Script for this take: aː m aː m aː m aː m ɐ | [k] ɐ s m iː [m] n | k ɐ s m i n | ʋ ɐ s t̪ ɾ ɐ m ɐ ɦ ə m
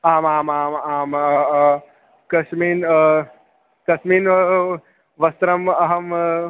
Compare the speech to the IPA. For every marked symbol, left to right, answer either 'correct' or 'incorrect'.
correct, incorrect: none

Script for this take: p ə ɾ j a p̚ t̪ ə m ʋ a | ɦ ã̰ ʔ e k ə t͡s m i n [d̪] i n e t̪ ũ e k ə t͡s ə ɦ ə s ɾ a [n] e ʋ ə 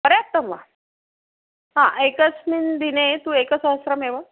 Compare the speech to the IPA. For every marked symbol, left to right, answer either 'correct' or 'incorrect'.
correct, incorrect: m

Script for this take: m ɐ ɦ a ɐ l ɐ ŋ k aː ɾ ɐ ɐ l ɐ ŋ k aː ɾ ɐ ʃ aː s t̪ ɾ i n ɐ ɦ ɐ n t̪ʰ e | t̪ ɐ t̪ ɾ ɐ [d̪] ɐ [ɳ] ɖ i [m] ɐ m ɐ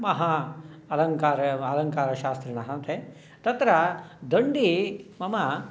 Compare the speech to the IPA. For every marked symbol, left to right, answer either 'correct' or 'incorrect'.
correct, correct, correct

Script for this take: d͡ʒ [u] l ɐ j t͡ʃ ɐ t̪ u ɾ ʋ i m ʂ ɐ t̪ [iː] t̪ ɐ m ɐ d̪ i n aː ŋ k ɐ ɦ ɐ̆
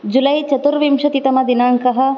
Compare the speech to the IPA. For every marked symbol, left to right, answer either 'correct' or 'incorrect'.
correct, incorrect: i

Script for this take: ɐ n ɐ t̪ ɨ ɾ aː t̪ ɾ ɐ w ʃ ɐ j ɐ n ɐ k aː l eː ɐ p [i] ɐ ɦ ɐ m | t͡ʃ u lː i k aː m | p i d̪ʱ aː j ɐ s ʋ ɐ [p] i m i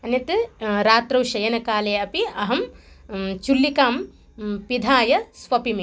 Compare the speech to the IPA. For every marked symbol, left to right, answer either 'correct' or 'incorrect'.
correct, correct

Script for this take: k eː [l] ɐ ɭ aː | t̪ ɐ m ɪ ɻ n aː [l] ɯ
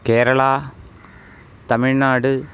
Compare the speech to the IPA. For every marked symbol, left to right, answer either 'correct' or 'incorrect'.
incorrect: ɾ, incorrect: ɽ

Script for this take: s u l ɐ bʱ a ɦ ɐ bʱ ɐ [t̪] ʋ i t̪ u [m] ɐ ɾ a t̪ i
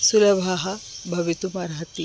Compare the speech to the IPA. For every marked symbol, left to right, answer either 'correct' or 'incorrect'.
incorrect: none, correct

